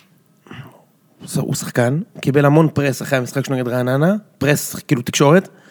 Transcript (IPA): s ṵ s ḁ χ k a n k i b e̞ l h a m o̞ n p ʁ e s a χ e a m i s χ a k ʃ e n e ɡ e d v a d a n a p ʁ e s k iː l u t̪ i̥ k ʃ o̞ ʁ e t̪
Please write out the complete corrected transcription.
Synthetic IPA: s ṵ s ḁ χ k a n k i b e̞ l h a m o̞ n p ʁ e s a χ e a m i s χ a k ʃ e n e ɡ e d ʁ a n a n a p ʁ e s k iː l u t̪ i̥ k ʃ o̞ ʁ e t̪